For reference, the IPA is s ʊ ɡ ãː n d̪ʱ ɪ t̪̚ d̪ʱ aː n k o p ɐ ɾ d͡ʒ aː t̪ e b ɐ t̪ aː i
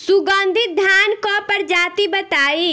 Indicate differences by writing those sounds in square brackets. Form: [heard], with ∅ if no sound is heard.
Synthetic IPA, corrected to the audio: s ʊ ɡ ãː n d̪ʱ ɪ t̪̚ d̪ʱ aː n k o p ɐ ɾ d͡ʒ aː t̪ [i] b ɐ t̪ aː i